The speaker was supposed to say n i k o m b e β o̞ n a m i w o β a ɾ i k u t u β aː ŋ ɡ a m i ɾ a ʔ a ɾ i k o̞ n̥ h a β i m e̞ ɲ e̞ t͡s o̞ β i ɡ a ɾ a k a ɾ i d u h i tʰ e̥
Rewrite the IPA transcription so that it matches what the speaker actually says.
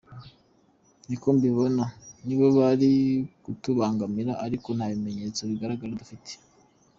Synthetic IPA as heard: n i k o m b i β o̞ n a n i β o β a ɾ i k u t u β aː ŋ ɡ a m i ɾ a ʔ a ɾ i k o̞ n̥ h a β i m e̞ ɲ e̞ t͡s o̞ β i ɡ a ɾ a ɡ a ɾ a d u f i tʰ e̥